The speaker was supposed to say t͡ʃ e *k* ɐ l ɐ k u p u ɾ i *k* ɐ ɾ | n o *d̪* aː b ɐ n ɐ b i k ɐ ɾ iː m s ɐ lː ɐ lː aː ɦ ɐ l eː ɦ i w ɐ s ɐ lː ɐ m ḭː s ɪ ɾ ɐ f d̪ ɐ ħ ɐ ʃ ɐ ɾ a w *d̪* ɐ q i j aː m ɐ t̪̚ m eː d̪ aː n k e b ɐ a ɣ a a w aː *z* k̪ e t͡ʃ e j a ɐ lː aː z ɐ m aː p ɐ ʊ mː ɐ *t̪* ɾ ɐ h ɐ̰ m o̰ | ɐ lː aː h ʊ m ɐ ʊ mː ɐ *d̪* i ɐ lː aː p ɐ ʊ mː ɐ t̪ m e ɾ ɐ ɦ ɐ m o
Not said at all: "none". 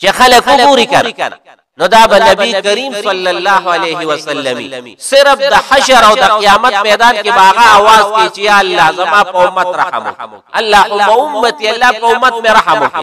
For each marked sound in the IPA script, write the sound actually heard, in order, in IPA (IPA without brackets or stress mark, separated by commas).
x, k, d̪, d̪, z, t̪, t̪